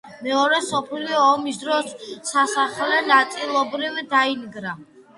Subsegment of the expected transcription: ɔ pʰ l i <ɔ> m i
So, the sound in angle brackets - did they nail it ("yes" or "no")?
no